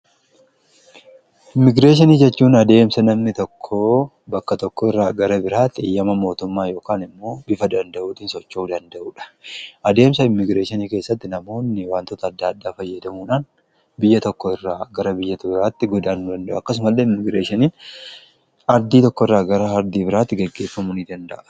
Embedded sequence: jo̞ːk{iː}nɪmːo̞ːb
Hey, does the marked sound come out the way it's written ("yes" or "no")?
no